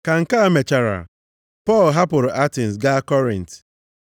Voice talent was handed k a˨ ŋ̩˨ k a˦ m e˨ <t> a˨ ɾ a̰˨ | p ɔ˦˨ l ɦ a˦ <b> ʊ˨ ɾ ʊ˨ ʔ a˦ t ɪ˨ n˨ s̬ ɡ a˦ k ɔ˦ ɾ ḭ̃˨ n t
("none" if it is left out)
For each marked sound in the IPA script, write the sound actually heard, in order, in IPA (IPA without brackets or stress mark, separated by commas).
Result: t͡ʃ, p